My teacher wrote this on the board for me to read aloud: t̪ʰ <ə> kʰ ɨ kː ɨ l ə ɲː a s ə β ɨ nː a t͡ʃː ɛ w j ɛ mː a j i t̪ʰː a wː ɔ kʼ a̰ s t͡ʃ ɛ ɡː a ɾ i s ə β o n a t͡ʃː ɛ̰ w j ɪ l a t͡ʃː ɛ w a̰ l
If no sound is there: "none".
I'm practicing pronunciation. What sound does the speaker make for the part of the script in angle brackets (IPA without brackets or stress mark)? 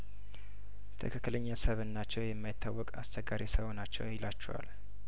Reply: ə